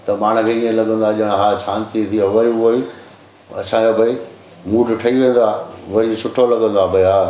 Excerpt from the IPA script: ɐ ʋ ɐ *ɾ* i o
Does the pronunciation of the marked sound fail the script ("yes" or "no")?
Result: no